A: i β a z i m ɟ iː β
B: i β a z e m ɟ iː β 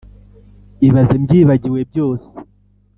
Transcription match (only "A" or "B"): B